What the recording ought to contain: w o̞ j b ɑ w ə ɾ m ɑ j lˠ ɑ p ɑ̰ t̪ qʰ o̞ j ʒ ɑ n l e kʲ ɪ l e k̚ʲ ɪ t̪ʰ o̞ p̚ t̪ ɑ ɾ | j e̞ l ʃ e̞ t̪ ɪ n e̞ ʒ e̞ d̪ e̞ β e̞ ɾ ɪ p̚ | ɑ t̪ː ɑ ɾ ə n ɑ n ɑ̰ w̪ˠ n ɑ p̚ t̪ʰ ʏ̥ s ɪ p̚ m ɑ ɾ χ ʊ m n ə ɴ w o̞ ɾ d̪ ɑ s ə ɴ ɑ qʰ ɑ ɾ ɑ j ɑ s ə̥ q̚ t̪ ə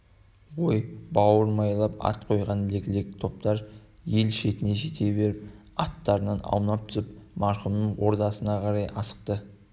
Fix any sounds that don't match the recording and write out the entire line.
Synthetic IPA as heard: w o̞ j b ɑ w ə ɾ m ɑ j lˠ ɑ p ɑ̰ t̪ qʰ o̞ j ʁ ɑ n l e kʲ ɪ l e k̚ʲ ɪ t̪ʰ o̞ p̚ t̪ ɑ ɾ | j e̞ l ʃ e̞ t̪ ɪ n e̞ ʒ e̞ t̪ e̞ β e̞ ɾ ɪ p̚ | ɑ t̪ː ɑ ɾ ə n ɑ n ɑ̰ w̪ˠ n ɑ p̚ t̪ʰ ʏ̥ s ɪ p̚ m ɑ ɾ χ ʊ m n ə ɴ w o̞ ɾ d̪ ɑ s ə n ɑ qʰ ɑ ɾ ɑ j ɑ s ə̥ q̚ t̪ ə